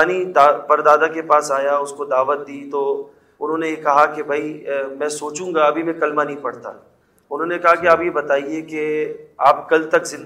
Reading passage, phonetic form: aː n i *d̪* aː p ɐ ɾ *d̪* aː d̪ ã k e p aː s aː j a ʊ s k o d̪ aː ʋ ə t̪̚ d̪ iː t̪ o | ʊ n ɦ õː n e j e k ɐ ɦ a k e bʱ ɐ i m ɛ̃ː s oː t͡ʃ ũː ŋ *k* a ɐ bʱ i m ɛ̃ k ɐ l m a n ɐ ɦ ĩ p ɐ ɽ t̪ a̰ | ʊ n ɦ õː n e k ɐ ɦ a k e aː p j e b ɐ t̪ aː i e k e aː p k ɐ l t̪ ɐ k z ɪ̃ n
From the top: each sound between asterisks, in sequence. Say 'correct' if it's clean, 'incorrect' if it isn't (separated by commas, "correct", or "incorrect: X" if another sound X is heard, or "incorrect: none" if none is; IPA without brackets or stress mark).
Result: correct, correct, incorrect: ɡ